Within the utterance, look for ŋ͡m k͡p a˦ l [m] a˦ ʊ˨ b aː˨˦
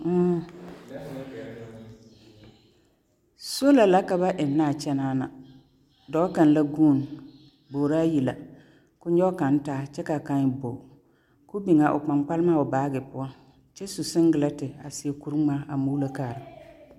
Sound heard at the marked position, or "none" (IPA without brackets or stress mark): m